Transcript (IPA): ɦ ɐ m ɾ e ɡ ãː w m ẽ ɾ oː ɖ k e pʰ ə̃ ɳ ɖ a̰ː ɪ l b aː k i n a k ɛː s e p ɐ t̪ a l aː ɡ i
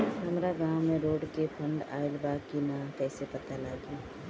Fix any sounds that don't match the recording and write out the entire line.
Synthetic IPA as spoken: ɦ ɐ m ɾ a ɡ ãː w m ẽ ɾ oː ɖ k e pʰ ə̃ ɳ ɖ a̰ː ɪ l b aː k i n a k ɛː s e p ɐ t̪ a l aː ɡ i